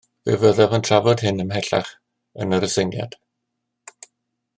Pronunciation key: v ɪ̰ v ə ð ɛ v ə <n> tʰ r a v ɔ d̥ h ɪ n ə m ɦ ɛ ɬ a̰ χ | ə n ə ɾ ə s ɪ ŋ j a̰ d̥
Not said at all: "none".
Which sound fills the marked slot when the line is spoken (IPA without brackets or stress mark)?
n